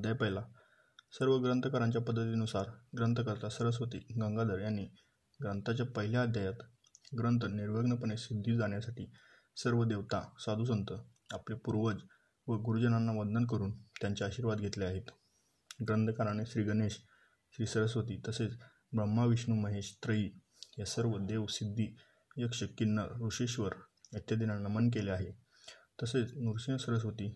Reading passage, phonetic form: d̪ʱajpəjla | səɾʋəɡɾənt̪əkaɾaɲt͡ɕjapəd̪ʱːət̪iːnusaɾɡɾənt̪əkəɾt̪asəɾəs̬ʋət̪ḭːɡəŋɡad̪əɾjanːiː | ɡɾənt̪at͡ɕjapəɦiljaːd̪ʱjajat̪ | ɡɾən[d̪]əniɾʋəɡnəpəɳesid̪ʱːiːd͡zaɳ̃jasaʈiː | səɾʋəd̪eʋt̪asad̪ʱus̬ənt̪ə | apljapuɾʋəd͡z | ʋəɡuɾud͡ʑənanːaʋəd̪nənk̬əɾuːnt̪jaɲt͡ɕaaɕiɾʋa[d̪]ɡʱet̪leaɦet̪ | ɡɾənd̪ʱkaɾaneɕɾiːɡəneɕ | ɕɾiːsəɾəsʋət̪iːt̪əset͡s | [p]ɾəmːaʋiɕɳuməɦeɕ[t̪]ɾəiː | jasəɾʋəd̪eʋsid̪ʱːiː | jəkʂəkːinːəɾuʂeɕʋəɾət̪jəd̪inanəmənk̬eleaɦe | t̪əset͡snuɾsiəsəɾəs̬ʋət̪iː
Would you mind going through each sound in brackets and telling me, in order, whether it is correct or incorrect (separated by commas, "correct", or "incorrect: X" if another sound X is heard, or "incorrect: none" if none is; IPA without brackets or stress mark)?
incorrect: t̪, correct, incorrect: b, correct